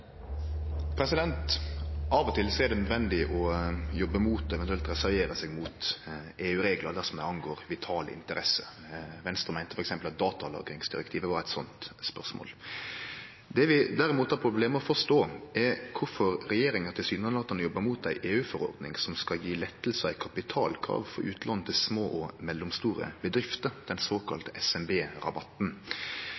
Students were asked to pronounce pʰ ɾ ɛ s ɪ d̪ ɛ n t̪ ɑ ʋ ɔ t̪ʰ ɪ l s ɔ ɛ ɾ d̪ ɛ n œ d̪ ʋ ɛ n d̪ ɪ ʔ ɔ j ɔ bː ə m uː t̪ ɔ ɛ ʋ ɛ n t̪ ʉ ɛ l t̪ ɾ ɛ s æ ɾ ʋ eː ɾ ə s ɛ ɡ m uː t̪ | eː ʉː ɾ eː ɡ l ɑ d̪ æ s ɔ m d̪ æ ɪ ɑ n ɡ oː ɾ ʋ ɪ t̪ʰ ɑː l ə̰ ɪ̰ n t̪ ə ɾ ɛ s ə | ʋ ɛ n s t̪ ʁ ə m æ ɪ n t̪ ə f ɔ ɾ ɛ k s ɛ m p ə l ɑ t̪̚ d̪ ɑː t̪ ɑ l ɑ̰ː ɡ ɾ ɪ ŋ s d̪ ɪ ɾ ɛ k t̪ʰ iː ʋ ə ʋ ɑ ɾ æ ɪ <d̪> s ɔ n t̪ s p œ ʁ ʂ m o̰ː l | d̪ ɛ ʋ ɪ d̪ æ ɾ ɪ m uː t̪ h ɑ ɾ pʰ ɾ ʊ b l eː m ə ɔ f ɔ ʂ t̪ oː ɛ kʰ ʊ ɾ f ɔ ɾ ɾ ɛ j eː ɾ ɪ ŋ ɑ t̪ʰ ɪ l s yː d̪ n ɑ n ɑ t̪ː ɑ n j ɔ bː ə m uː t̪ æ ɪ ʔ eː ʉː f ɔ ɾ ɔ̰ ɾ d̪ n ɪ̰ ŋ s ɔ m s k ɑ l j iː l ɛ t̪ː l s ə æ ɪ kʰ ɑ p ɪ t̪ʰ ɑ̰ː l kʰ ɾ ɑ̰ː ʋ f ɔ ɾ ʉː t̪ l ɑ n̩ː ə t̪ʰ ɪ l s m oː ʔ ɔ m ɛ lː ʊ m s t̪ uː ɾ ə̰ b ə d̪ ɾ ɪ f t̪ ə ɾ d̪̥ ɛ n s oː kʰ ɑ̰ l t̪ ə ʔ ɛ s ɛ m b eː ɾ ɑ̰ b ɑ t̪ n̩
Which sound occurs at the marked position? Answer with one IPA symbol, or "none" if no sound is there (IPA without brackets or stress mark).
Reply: t̪